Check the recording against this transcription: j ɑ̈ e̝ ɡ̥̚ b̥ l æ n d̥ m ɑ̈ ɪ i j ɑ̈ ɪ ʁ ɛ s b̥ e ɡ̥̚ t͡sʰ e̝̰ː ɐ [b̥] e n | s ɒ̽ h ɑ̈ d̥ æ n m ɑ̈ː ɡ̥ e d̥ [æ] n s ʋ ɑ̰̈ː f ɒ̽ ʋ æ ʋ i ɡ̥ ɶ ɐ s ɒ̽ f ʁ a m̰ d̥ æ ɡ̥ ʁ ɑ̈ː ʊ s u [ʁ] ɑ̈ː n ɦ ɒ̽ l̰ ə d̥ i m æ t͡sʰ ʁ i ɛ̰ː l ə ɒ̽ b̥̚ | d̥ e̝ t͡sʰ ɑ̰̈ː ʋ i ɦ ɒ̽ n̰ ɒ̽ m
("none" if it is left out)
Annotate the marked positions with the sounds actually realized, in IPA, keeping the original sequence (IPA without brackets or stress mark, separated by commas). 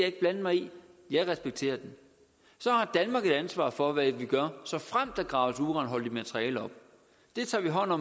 d̥, æ, ʁ